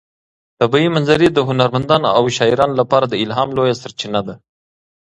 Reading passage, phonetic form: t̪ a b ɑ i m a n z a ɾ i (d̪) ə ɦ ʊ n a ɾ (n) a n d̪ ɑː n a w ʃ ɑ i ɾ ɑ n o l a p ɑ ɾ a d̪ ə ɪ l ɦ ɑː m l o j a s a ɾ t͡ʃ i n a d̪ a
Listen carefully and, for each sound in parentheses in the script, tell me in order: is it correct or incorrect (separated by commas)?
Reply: correct, incorrect